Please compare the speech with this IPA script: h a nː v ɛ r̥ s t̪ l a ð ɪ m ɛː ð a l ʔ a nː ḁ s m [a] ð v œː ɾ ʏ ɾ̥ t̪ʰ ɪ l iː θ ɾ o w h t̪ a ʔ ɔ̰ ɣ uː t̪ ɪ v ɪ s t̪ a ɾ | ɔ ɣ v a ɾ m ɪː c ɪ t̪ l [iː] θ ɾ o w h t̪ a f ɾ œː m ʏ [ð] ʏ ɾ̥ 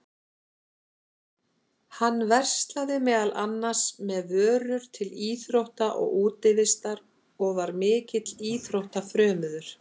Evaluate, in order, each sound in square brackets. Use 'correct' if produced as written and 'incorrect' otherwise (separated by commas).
incorrect, correct, correct